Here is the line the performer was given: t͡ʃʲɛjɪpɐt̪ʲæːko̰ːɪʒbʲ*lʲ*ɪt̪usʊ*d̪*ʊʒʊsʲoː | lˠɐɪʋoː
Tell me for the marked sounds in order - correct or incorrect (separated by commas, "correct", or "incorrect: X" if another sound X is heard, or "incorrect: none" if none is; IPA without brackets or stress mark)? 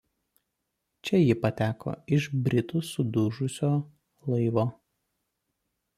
incorrect: ɾʲ, correct